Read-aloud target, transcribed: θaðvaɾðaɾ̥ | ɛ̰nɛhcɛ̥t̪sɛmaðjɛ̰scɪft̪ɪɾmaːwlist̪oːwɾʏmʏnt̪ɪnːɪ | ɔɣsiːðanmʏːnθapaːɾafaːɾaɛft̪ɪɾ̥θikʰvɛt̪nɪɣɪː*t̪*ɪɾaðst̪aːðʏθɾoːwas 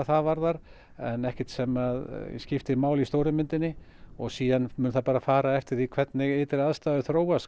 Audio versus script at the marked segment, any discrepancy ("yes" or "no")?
no